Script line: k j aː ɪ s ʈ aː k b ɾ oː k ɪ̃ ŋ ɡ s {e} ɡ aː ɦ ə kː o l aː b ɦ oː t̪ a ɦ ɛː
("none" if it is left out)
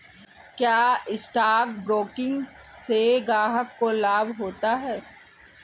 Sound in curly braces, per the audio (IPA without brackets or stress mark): e